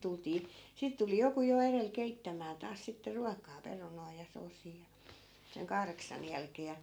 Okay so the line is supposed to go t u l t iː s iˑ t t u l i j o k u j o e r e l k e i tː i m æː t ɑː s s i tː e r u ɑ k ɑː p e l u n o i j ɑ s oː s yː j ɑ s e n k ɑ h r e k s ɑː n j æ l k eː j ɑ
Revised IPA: t u l t iː s iˑ t t u l i j o k u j o e r e l k e i tː æ m æː t ɑː s s i tː e r u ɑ k ɑː p e r u n o i j ɑ s oː s iː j ɑ s e ŋ k ɑ h r e k s ɑ n j æ l k eː j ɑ